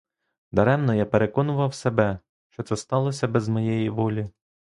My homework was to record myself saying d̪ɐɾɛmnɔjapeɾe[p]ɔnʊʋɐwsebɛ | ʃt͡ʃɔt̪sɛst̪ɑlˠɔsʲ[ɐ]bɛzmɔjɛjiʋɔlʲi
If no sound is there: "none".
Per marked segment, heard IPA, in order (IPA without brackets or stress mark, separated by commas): k, ɐ